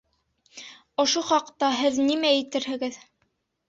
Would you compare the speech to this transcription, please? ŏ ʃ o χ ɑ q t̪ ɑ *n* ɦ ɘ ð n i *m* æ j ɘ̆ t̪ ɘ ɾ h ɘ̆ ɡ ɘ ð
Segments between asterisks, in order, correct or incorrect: incorrect: none, correct

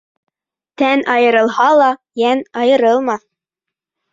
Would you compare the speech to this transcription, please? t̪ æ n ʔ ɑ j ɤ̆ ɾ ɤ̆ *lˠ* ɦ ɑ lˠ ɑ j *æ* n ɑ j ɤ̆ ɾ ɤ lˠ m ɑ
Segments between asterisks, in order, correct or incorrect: correct, correct

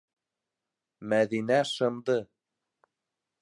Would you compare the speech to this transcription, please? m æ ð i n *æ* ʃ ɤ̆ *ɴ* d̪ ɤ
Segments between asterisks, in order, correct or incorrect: correct, incorrect: m

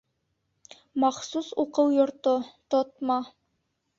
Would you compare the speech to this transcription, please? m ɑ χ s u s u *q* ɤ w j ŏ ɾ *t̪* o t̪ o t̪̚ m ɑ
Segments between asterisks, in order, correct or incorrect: correct, correct

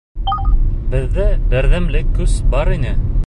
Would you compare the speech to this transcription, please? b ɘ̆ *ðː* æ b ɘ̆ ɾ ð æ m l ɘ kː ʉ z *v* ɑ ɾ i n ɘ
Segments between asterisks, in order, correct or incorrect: correct, incorrect: b

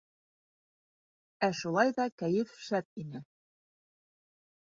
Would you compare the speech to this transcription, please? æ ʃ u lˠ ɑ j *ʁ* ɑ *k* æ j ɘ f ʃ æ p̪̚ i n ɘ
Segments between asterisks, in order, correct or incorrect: incorrect: ð, correct

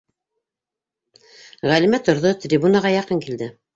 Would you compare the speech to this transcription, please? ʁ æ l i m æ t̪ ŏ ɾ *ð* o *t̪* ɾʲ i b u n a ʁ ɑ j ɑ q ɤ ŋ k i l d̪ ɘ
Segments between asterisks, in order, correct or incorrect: correct, correct

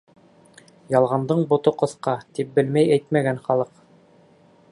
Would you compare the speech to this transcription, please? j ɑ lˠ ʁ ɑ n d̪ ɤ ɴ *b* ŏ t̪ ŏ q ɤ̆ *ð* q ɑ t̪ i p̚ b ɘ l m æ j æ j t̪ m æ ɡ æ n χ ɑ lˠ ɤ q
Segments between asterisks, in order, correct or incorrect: correct, incorrect: θ

